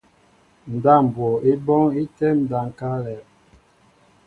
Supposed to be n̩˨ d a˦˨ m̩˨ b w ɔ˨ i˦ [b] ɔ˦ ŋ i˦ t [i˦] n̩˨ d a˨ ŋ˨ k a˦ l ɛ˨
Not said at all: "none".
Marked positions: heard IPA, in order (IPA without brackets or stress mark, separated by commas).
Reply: b, ɛ˦